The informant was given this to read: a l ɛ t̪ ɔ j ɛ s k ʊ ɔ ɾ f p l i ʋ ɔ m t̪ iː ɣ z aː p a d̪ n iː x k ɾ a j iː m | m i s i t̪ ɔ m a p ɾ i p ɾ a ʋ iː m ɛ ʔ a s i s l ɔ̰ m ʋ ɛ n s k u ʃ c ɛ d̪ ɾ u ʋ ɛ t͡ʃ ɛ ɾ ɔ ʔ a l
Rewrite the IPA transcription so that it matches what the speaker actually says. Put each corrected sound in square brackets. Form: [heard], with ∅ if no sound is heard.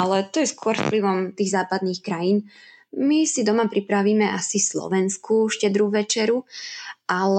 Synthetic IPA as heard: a l ɛ t̪ ɔ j ɛ s k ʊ ɔ ɾ f p l i ʋ ɔ m t̪ iː ɣ z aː p a d̪ n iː x k ɾ a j iː [n] | m i s i [d̪] ɔ m a p ɾ i p ɾ a ʋ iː m ɛ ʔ a s i s l ɔ̰ [∅] ʋ ɛ n s k u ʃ c ɛ d̪ ɾ u ʋ ɛ t͡ʃ ɛ ɾ [u] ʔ a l